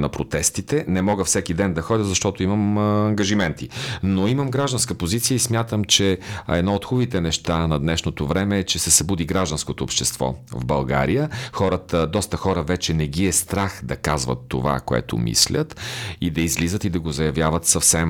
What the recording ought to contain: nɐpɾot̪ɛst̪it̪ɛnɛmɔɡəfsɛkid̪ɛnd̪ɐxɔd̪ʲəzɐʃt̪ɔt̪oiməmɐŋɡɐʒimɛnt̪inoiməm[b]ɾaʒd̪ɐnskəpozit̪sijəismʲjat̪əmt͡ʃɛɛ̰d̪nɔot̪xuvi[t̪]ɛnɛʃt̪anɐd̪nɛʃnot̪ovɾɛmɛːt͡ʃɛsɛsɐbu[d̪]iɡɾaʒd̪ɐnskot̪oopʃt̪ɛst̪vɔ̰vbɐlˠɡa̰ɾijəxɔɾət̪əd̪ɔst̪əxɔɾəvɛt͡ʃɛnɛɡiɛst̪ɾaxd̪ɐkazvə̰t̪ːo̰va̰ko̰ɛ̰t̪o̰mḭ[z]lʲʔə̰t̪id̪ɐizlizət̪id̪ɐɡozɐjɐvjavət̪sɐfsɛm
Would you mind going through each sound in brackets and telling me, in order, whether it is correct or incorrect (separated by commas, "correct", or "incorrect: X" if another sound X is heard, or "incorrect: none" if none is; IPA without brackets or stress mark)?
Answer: incorrect: ɡ, correct, correct, incorrect: s